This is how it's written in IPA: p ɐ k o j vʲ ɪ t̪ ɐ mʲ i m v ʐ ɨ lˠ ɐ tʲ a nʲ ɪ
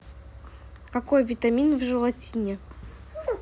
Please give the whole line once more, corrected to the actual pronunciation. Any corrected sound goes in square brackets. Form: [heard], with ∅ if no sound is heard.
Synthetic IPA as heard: [k] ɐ k o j vʲ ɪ t̪ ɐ mʲ i [n] v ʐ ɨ lˠ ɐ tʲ [i] nʲ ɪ